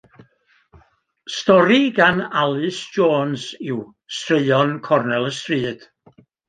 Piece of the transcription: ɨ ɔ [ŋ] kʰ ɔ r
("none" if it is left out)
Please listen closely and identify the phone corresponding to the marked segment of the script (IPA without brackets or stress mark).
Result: n